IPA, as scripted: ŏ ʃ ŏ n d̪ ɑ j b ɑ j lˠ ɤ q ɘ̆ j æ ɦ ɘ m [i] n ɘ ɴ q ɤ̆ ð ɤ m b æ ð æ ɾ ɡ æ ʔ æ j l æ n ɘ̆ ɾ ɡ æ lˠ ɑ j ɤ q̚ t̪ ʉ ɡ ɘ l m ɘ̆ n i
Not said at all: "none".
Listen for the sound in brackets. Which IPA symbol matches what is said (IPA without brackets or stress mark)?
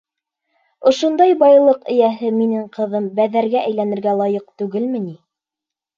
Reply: i